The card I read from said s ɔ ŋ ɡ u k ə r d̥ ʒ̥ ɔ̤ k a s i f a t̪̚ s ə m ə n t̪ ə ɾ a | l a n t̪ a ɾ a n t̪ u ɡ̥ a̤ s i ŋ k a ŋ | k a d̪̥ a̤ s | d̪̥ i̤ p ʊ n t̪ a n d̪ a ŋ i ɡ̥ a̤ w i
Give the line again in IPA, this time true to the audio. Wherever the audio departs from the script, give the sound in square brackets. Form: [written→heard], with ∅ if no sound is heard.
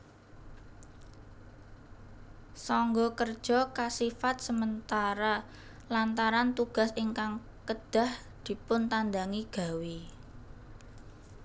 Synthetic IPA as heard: s ɔ ŋ ɡ [u→ɔ] k ə r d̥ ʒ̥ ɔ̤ k a s i f a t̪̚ s ə m ə n t̪ [ə→a] ɾ a | l a n t̪ a ɾ a n t̪ u ɡ̥ a̤ s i ŋ k a ŋ | k [a→ə] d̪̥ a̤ [s→h] | d̪̥ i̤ p ʊ n t̪ a n d̪ a ŋ i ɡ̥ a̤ w i